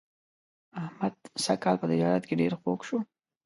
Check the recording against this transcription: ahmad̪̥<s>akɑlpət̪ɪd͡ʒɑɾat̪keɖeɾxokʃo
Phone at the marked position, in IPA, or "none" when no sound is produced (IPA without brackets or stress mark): s